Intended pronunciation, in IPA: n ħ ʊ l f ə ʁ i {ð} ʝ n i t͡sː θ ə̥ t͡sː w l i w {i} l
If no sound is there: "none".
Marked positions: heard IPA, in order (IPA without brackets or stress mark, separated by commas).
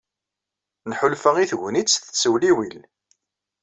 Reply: θ, i